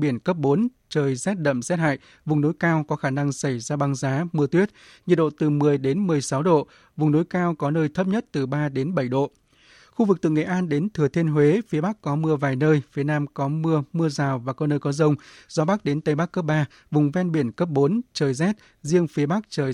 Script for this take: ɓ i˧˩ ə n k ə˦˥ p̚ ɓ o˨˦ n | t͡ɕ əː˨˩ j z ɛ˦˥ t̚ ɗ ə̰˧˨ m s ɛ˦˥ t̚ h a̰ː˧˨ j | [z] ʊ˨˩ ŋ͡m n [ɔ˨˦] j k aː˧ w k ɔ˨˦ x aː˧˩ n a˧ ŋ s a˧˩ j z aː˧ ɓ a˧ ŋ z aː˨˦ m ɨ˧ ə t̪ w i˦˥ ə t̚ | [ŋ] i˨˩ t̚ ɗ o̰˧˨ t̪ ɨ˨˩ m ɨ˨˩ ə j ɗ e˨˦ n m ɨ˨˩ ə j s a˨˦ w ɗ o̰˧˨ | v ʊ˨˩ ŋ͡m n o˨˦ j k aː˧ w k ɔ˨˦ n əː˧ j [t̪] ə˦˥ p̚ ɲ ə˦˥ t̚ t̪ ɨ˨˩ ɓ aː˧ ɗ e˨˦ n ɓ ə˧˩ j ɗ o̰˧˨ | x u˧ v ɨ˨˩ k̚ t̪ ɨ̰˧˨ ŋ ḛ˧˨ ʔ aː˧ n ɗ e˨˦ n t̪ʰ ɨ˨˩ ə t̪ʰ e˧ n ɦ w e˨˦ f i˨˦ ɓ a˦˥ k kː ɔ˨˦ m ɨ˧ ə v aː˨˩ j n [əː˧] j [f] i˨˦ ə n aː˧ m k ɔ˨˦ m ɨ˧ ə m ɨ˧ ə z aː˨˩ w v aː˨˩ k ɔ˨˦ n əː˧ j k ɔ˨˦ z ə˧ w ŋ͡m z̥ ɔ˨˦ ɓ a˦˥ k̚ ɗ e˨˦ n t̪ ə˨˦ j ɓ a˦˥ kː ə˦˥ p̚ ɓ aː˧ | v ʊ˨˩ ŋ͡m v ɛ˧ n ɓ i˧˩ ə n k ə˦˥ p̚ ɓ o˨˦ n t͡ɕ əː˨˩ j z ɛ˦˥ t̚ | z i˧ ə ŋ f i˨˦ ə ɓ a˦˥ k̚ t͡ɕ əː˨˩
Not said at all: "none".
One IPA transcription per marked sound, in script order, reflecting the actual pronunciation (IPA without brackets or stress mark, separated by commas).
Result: v, o˨˦, ɲ, t̪ʰ, əː˧, f